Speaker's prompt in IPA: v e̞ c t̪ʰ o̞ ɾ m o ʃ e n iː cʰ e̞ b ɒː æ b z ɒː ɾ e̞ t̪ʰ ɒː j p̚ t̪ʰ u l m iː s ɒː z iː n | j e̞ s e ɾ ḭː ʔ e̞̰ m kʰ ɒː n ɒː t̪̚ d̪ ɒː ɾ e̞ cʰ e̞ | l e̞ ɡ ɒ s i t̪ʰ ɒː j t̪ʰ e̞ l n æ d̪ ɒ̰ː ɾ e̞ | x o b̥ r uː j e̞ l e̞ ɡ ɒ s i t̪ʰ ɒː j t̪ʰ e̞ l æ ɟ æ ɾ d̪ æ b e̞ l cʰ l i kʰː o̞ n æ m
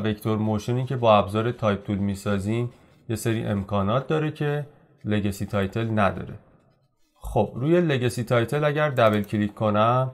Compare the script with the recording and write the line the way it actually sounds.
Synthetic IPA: v e̞ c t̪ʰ o̞ ɾ m o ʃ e n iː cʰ e̞ b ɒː æ b z ɒː ɾ e̞ t̪ʰ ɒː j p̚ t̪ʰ u l m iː s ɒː z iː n | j e̞ s e ɾ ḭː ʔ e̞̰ m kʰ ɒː n ɒː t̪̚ d̪ ɒː ɾ e̞ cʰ e̞ | l e̞ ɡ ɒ s i t̪ʰ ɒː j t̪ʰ e̞ l n æ d̪ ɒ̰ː ɾ e̞ | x o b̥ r uː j e̞ l e̞ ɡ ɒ s i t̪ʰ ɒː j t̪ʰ e̞ l æ ɟ æ ɾ d̪ æ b e̞ l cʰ l i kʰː o̞ n æ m

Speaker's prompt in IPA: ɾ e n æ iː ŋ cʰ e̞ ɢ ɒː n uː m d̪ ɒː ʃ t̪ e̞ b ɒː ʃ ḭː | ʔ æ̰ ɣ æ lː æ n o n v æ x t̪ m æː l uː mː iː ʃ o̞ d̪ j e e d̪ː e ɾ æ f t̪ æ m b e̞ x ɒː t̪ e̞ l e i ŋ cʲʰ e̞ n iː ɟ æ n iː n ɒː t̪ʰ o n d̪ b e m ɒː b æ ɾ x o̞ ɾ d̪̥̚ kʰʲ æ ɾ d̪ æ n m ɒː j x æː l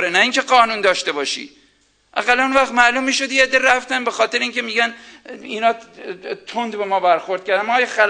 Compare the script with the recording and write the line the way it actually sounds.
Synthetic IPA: ɾ e n æ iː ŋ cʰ e̞ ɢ ɒː n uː n d̪ ɒː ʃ t̪ e̞ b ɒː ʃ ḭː | ʔ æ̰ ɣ æ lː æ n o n v æ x t̪ m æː l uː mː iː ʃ o̞ d̪ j e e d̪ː e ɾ æ f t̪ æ n b e̞ x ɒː t̪ e̞ ɾ e i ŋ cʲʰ e̞ m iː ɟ æ n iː n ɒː t̪ʰ o n d̪ b e m ɒː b æ ɾ x o̞ ɾ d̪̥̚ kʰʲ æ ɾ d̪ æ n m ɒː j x æ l

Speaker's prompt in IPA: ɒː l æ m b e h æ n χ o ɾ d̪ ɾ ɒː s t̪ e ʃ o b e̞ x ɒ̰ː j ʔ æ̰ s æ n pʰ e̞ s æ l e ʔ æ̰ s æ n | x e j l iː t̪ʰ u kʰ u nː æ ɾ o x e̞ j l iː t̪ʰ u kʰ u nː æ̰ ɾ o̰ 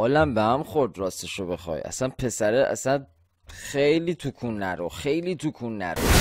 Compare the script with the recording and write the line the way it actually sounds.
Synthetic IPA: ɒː l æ m b e h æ m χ o ɾ d̪ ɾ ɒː s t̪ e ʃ o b e̞ x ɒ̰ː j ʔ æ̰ s æ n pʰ e̞ s æ ɾ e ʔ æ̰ s æ n | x e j l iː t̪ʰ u kʰ u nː æ ɾ o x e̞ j l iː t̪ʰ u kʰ u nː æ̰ ɾ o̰

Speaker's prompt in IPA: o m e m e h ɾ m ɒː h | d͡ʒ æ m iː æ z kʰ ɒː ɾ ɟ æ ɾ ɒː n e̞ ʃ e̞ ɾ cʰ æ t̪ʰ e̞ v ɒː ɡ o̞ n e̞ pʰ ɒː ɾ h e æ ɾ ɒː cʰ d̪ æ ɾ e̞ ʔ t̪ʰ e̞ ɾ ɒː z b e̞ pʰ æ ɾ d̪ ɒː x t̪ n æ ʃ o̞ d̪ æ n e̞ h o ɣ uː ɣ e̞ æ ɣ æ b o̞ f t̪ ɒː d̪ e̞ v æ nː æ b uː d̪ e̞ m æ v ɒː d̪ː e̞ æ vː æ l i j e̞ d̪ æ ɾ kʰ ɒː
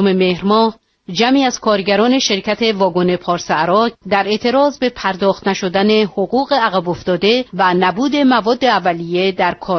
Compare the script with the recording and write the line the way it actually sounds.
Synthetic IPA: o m e m e h ɾ m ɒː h | d͡ʒ æ m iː æ z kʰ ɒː ɾ ɟ æ ɾ ɒː n e̞ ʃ e̞ ɾ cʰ æ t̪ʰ e̞ v ɒː ɡ o̞ n e̞ pʰ ɒː ɾ s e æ ɾ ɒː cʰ d̪ æ ɾ e̞ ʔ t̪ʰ e̞ ɾ ɒː z b e̞ pʰ æ ɾ d̪ ɒː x t̪ n æ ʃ o̞ d̪ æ n e̞ h o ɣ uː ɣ e̞ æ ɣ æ b o̞ f t̪ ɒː d̪ e̞ v æ n æ b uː d̪ e̞ m æ v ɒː d̪ː e̞ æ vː æ l i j e̞ d̪ æ ɾ kʰ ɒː

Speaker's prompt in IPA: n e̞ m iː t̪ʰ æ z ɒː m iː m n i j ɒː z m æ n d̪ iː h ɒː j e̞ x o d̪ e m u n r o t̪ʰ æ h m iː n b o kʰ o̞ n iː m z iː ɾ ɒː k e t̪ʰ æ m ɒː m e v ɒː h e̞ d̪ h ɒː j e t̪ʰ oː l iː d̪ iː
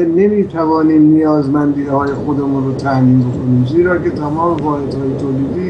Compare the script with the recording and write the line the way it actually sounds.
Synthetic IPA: n e̞ m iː t̪ʰ æ v ɒː n iː m n i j ɒː z m æ n d̪ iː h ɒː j e̞ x o d̪ e m u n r o t̪ʰ æ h m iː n b o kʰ o̞ n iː m z iː ɾ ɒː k e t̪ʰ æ m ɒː m e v ɒː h e̞ d̪ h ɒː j e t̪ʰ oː l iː d̪ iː

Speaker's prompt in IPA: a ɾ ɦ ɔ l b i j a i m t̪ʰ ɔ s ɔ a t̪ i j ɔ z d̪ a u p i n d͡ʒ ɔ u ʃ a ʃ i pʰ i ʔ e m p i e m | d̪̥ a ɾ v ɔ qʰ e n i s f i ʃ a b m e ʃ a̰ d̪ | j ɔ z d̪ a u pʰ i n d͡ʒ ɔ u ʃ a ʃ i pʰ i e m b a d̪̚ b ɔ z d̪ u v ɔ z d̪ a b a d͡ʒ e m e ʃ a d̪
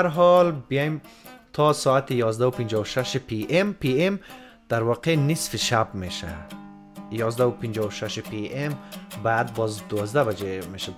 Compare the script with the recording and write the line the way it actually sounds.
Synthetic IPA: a ɾ ɦ ɔ l b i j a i m t̪ʰ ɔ s ɔ a t̪ i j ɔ z d̪ a u p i n d͡ʒ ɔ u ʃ a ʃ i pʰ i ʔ e m p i e m | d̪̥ a ɾ v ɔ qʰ e n i s f i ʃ a b m e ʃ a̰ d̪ | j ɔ z d̪ a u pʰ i n d͡ʒ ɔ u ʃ a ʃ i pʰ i e m b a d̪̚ b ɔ z d̪ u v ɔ z d̪ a b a d͡ʒ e m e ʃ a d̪

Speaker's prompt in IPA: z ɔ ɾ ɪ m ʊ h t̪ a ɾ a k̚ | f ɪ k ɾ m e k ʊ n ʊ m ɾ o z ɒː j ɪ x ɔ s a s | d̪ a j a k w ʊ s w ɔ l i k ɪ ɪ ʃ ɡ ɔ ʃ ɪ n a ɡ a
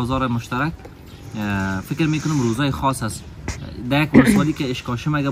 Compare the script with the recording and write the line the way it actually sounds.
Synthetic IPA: z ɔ ɾ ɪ m ʊ ʃ t̪ a ɾ a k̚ | f ɪ k ɾ m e k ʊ n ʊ m ɾ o z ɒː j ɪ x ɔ s a s | d̪ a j a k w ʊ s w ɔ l i k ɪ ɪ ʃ k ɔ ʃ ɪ m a ɡ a

